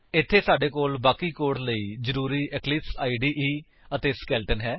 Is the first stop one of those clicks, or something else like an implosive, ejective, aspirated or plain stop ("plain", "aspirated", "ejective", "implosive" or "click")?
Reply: aspirated